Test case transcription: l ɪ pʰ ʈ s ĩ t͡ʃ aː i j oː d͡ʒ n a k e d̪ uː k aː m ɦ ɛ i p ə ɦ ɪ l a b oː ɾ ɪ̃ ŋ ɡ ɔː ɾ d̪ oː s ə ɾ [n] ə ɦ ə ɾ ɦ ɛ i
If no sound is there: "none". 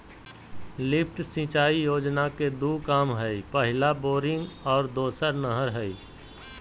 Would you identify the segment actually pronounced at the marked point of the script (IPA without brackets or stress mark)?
n